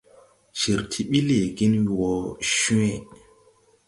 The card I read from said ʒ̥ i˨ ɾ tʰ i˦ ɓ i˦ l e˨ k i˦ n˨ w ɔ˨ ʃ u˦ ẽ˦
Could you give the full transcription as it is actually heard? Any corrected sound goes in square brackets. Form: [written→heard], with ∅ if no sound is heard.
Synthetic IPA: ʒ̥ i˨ ɾ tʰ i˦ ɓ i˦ l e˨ [k→ɡ] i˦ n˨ w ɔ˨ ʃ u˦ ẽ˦